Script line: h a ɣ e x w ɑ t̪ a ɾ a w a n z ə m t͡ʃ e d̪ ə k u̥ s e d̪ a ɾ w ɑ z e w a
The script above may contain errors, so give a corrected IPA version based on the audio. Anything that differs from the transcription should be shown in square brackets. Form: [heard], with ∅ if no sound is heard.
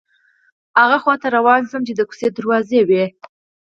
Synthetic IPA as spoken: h a ɣ [a] x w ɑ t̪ a ɾ a w [ɑ] n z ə m t͡ʃ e d̪ ə k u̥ s e d̪ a ɾ w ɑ z e w [e]